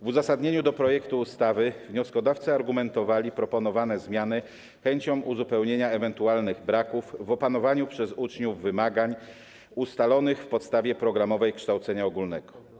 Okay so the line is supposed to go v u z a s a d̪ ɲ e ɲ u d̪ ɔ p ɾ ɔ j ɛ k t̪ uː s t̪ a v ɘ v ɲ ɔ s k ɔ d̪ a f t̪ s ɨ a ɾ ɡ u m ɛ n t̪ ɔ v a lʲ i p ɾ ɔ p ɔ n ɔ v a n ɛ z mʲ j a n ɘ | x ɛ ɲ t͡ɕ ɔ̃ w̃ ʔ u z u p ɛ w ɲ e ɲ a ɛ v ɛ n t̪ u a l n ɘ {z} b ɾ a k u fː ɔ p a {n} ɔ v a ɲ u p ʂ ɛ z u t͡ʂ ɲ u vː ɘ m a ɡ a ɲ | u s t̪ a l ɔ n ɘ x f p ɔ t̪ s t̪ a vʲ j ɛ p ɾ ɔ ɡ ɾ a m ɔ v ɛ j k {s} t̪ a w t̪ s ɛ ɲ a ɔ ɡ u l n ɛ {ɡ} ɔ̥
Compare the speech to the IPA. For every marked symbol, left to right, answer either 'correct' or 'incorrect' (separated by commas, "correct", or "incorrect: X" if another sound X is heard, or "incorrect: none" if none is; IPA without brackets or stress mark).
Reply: incorrect: ɣ, correct, incorrect: ʂ, correct